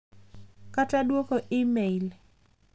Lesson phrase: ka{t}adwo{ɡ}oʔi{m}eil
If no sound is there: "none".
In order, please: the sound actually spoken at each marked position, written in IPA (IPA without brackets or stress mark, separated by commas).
t, k, m